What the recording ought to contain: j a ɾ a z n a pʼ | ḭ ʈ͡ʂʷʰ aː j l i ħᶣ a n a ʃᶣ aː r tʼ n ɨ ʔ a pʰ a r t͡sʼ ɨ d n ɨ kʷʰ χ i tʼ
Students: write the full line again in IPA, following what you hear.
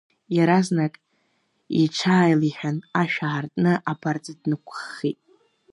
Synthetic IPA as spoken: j a ɾ a z n a kʼ | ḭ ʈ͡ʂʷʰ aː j l i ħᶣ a n a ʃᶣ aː r tʼ n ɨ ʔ a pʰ a r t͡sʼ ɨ d n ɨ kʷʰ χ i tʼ